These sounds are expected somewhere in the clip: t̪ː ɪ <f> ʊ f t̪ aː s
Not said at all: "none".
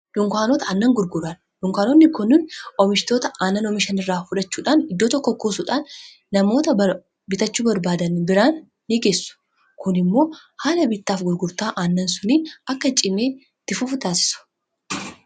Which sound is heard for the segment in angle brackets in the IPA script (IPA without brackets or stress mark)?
f